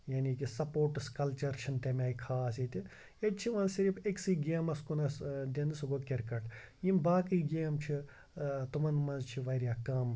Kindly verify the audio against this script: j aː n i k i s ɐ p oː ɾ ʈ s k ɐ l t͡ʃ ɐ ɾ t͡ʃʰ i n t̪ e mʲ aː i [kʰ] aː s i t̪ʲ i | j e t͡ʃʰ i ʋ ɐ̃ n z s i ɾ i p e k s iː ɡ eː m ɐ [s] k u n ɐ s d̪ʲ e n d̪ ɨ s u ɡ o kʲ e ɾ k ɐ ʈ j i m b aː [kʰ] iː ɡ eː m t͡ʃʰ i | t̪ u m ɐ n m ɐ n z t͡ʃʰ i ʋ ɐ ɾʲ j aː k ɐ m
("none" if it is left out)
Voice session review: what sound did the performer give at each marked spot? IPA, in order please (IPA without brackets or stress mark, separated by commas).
kʰ, s, k